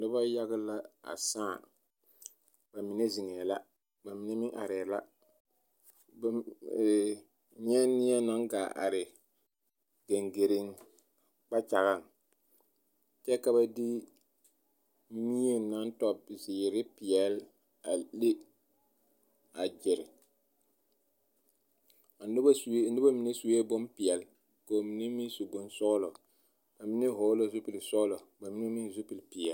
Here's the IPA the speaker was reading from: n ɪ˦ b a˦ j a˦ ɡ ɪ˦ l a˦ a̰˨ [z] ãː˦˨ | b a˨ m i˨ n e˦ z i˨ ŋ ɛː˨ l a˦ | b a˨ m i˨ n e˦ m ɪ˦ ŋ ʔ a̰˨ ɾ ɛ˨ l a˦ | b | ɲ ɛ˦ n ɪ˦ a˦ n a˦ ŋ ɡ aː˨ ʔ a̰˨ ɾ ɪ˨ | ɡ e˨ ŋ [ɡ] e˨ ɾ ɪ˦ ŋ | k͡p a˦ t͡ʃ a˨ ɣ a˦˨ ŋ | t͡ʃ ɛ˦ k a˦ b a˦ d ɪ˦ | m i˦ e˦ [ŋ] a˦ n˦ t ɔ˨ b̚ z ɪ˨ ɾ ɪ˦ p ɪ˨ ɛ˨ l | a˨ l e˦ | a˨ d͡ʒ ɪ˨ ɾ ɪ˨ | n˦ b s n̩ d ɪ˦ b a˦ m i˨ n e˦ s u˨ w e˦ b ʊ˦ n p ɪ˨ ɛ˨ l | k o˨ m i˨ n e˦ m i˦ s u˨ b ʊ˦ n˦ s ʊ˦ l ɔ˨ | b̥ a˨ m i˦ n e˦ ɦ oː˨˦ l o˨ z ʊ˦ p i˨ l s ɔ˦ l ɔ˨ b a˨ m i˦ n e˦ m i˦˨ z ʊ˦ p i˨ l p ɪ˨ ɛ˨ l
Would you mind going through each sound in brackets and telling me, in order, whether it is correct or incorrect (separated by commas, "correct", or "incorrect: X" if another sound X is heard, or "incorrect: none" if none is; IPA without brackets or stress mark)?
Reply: incorrect: s, correct, incorrect: n